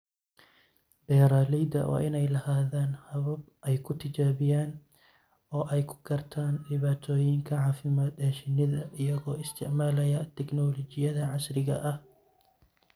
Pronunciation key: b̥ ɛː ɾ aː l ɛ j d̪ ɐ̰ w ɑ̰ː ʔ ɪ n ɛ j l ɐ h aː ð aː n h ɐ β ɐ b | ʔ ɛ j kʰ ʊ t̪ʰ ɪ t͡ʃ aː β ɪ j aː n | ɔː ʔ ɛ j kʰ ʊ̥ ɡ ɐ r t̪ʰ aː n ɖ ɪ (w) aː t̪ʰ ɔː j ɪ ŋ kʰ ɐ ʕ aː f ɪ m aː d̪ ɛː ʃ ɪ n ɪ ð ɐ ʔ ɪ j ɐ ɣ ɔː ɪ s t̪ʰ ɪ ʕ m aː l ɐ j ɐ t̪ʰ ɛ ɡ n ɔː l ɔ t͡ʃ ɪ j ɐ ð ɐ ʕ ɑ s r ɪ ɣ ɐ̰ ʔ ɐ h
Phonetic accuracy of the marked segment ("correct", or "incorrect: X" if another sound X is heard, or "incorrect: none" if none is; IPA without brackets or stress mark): incorrect: β